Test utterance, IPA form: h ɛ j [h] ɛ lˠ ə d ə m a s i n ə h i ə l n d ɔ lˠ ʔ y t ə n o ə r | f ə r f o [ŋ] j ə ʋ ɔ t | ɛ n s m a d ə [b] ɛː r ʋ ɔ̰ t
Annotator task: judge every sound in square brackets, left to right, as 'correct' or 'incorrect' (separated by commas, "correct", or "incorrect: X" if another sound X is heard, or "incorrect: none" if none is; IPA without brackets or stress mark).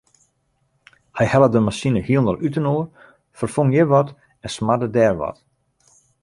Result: correct, correct, incorrect: d